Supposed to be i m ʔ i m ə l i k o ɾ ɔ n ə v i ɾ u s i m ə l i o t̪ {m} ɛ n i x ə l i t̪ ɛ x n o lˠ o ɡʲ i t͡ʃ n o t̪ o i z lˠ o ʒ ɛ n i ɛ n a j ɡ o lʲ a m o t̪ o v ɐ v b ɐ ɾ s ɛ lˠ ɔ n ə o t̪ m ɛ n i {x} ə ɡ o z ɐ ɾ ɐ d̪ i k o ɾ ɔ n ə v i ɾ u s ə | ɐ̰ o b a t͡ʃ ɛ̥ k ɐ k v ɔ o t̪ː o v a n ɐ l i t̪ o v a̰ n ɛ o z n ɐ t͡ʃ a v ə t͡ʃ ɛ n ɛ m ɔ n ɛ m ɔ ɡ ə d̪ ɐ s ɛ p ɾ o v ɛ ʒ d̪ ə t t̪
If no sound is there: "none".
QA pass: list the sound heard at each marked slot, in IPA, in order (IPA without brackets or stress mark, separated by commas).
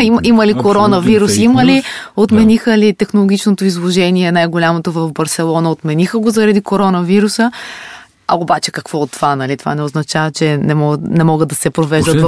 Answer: m, x